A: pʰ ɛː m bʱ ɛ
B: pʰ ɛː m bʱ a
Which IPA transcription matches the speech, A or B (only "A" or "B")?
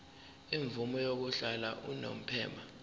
B